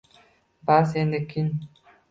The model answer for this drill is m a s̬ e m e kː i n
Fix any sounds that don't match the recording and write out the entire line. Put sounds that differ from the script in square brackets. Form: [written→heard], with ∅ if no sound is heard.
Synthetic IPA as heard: [m→b] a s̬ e [m→n] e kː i n